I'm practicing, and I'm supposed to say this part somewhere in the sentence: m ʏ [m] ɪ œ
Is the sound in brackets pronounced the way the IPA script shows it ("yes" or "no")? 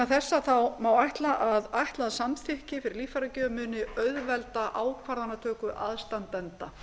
no